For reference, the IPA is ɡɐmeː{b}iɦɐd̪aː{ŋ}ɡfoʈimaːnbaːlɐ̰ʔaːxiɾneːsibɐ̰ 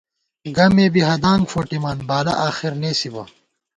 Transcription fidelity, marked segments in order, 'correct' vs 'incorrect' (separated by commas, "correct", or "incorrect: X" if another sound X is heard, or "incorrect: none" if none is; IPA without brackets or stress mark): correct, correct